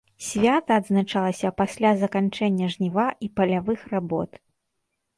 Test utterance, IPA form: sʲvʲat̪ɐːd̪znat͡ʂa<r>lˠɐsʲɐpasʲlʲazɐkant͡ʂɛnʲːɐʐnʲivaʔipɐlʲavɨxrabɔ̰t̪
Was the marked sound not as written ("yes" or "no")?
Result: yes